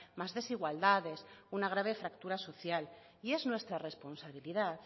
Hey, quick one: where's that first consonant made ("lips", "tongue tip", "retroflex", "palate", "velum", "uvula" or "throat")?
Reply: lips